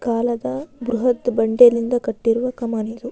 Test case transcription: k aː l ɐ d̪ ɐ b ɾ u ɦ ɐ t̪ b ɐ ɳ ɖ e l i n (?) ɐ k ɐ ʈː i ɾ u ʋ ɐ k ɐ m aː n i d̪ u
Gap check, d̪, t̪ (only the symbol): d̪